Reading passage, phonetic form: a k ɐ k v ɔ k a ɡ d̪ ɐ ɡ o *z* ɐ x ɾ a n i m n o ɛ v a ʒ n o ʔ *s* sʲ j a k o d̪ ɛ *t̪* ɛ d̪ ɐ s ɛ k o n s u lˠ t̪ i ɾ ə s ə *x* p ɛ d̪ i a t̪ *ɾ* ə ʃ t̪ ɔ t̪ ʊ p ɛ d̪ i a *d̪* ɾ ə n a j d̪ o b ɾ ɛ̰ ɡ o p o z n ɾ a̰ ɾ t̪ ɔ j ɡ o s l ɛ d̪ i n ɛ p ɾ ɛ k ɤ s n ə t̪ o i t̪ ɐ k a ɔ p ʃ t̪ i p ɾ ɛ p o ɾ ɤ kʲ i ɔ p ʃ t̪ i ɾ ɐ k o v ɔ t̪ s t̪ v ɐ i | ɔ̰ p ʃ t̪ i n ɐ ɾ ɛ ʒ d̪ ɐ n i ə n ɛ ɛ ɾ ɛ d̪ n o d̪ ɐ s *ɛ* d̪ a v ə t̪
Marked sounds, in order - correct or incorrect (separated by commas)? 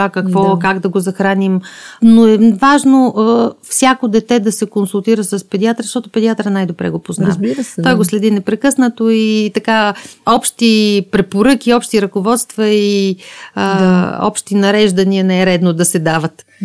correct, incorrect, correct, incorrect, correct, incorrect, correct